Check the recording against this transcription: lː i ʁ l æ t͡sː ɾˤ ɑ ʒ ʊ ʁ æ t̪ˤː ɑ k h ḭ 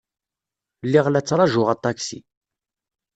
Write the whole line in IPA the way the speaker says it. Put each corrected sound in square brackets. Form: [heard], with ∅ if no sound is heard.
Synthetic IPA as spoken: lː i ʁ l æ t͡sː ɾˤ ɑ ʒ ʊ ʁ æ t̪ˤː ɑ k [s] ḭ